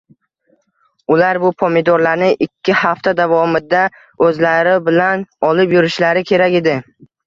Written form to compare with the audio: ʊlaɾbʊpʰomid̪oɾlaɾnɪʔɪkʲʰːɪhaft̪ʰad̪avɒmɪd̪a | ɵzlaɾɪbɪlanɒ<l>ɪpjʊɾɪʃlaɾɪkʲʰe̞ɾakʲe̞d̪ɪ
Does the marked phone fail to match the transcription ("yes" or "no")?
no